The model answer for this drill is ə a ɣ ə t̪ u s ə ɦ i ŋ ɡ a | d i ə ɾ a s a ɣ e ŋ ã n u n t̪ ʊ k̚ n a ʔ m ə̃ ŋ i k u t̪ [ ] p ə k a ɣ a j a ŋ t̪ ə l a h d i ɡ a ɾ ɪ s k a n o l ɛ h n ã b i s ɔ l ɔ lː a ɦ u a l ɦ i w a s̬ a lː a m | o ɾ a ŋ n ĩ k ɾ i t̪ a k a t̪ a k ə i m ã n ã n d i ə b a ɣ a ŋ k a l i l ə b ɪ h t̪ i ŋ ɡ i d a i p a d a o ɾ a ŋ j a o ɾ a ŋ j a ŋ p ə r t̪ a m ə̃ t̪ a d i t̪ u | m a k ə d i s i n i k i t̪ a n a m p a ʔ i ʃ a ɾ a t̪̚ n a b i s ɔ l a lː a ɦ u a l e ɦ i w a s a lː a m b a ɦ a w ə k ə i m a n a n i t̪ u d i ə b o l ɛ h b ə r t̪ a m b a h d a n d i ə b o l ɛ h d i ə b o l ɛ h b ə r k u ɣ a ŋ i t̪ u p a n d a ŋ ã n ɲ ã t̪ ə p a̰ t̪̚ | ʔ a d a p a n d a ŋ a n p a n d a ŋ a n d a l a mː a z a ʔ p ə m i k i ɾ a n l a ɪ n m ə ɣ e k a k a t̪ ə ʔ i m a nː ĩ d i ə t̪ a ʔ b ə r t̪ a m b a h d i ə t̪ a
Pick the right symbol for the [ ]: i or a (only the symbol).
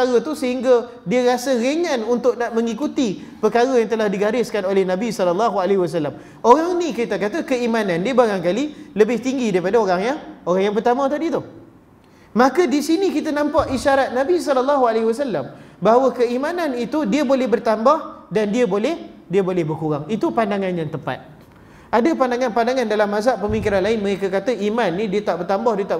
i